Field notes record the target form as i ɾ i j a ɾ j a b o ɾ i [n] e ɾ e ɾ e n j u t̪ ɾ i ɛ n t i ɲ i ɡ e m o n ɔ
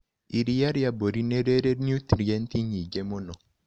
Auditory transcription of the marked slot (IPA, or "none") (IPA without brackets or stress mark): n